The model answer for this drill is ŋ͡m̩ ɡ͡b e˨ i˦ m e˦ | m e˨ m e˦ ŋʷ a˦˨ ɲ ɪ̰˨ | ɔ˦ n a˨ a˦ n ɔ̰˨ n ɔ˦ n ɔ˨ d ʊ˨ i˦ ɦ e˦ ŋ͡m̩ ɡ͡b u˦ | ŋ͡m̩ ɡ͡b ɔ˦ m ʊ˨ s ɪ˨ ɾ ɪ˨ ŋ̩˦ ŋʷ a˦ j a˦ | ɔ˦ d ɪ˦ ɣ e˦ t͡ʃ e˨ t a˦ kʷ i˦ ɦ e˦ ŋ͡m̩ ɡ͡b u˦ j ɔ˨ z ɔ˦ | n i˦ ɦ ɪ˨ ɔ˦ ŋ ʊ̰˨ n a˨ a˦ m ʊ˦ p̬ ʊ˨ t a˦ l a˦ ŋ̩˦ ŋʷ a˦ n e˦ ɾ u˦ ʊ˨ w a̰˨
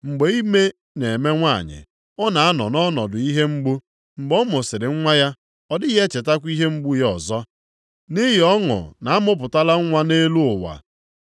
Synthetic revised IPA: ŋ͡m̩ ɡ͡b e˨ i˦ m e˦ | n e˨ m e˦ ŋʷ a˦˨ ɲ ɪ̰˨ | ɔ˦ n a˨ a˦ n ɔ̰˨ n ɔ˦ n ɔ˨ d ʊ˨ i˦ ɦ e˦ ŋ͡m̩ ɡ͡b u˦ | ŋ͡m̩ ɡ͡b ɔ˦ m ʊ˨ s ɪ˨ ɾ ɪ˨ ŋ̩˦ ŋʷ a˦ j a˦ | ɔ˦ d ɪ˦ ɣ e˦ t͡ʃ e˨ t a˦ kʷ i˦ ɦ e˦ ŋ͡m̩ ɡ͡b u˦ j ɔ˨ z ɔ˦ | n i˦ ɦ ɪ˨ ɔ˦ ŋ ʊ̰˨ n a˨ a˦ m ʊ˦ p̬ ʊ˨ t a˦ l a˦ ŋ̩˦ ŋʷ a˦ n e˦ l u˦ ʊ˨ w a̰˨

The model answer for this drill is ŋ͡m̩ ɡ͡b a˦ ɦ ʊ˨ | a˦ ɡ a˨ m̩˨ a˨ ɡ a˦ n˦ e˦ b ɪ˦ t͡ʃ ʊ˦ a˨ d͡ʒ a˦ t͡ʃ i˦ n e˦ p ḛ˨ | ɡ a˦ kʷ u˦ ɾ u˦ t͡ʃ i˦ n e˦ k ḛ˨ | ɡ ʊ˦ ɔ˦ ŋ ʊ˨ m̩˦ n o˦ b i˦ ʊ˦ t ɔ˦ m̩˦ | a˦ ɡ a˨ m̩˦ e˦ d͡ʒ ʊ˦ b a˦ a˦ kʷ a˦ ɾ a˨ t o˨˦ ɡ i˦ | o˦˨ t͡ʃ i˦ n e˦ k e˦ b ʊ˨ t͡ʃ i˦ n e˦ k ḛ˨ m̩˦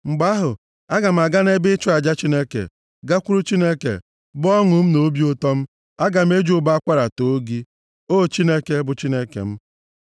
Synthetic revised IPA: ŋ͡m̩ ɡ͡b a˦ ɦ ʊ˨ | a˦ ɡ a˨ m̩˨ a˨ ɡ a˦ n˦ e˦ b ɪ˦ t͡ʃ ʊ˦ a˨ d͡ʒ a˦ t͡ʃ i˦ n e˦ k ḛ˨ | ɡ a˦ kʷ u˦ ɾ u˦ t͡ʃ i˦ n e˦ k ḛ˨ | b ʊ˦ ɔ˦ ŋ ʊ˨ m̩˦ n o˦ b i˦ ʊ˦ t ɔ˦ m̩˦ | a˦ ɡ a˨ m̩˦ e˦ d͡ʒ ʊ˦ b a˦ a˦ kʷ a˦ ɾ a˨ t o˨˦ ɡ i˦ | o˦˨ t͡ʃ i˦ n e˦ k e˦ b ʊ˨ t͡ʃ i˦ n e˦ k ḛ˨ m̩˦

